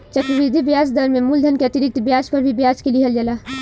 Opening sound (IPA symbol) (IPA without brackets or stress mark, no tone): t͡ʃ